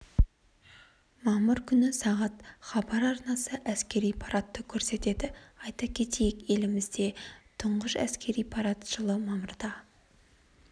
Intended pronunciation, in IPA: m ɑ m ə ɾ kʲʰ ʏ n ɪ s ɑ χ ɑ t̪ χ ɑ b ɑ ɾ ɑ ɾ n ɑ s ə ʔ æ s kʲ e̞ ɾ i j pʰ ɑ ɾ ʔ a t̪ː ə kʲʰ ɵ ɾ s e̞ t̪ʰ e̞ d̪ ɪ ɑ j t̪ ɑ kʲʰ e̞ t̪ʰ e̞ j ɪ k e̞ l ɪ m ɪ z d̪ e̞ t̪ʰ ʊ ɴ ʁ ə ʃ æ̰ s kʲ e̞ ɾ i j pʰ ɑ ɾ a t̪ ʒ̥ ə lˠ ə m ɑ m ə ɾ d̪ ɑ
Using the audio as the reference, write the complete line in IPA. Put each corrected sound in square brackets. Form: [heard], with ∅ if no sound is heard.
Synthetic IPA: m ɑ m ə ɾ kʲʰ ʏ n ɪ s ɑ [ʁ] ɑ t̪ χ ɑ b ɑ ɾ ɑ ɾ n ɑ s ə ʔ æ s kʲ e̞ ɾ i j pʰ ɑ ɾ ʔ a t̪ː ə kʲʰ ɵ ɾ s e̞ [t̪] e̞ d̪ ɪ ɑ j t̪ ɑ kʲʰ e̞ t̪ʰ e̞ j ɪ k e̞ l ɪ m ɪ z d̪ e̞ t̪ʰ ʊ ɴ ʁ ə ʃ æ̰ s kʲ e̞ ɾ i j pʰ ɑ ɾ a t̪ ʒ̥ ə lˠ ə m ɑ m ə ɾ d̪ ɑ

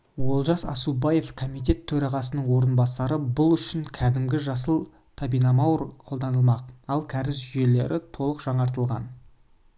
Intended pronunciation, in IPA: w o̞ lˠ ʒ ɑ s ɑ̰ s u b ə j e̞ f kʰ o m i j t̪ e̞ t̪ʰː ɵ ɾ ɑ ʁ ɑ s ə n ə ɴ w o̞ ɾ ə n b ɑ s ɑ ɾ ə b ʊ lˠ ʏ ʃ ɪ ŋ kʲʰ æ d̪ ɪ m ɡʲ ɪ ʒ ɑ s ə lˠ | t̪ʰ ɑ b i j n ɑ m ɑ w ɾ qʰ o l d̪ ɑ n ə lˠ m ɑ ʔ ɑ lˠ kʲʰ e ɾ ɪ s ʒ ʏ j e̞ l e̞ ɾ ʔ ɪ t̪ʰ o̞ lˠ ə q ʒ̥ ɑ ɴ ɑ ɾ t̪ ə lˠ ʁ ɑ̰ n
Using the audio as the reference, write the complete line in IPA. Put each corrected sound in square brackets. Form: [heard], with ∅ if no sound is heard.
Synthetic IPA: w o̞ lˠ ʒ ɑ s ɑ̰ s u b [ɑ] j e̞ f kʰ o m i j t̪ e̞ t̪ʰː ɵ ɾ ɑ ʁ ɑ s ə n ə ɴ w o̞ ɾ ə n b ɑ s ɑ ɾ ə b ʊ lˠ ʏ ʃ ɪ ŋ kʲʰ æ d̪ ɪ m ɡʲ ɪ ʒ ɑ s ə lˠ | t̪ʰ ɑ b i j n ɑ m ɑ w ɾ qʰ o l d̪ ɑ n ə lˠ m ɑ [q] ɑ lˠ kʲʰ [æ] ɾ ɪ s ʒ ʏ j e̞ l e̞ ɾ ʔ ɪ t̪ʰ o̞ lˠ ə q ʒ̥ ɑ ɴ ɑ ɾ t̪ ə lˠ ʁ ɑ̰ n

